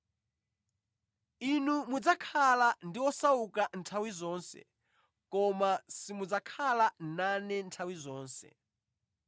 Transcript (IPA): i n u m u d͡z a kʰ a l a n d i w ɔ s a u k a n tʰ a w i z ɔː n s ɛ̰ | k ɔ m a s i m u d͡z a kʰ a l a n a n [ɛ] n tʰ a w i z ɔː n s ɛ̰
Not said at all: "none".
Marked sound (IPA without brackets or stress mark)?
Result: ɛ